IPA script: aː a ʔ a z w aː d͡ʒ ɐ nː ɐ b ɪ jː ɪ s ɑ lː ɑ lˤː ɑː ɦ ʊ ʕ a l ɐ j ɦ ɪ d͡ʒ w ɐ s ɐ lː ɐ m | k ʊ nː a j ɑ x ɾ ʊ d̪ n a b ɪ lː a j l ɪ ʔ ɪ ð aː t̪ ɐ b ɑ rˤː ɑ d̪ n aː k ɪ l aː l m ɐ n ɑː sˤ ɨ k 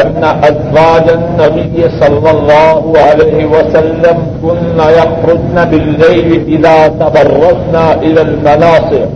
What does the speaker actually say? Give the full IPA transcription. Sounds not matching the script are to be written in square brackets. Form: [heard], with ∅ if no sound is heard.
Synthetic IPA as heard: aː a ʔ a z w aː d͡ʒ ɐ nː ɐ b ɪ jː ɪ s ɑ lː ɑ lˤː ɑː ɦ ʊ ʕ a l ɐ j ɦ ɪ [∅] w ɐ s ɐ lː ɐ m | k ʊ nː a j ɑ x ɾ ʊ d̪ n a b ɪ lː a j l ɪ ʔ ɪ ð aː t̪ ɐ b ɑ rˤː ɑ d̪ n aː [ʔ] ɪ l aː l m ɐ n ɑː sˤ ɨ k